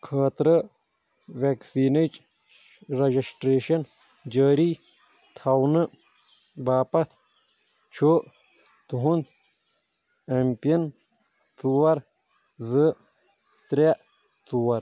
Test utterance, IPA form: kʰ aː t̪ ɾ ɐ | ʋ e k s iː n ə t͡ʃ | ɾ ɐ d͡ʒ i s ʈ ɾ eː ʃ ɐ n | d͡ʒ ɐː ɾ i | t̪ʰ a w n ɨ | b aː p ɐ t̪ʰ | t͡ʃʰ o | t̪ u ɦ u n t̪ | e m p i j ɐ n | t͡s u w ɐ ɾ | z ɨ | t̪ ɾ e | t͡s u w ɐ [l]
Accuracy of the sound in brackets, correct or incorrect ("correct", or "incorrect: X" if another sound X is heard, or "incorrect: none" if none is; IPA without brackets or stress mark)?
incorrect: ɾ